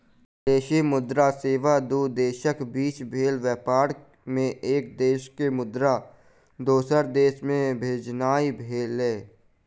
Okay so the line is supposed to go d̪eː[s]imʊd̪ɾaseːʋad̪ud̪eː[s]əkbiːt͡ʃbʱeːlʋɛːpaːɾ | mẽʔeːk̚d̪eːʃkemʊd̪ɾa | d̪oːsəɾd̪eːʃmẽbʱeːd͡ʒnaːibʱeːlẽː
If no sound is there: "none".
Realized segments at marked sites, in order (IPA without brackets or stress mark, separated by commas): ʃ, ʃ